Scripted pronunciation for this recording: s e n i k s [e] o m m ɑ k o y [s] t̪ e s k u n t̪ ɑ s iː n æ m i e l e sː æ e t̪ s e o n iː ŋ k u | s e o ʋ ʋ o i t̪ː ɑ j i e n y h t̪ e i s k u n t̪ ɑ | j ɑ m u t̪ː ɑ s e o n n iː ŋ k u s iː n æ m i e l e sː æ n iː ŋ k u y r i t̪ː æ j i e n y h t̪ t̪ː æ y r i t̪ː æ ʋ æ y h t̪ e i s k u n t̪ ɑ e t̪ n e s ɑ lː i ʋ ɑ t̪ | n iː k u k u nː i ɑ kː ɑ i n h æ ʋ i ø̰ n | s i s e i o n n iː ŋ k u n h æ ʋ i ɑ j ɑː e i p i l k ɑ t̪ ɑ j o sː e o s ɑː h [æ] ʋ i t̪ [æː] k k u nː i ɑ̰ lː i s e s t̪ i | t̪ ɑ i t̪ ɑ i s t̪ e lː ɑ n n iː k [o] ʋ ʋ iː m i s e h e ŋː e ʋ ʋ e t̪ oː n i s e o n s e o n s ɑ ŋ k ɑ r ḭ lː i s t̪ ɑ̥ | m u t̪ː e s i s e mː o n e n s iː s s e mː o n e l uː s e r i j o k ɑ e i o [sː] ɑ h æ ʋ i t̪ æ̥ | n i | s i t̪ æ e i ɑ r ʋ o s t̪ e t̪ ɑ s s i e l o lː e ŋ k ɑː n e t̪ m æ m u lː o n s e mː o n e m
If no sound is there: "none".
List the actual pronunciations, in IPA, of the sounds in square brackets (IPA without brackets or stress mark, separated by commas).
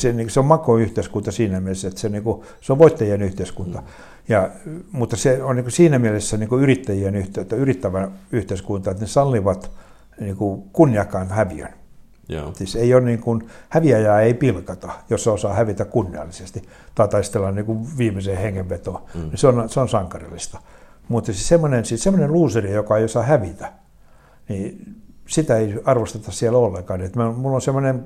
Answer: e, h, æ, æ, u, s